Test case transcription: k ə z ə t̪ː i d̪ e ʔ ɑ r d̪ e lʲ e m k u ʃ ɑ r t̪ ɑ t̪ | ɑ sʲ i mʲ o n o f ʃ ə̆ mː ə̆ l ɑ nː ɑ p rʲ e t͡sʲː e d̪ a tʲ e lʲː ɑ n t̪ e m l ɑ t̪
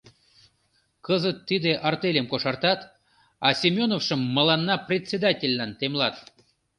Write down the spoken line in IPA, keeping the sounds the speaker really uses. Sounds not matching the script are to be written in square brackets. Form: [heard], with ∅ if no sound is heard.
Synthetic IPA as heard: k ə z ə t̪ː i d̪ e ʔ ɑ r [t̪] e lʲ e m k [o] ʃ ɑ r t̪ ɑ t̪ | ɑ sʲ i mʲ o n o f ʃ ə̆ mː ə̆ l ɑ nː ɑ p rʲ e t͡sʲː e d̪ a tʲ e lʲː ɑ n t̪ e m l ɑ t̪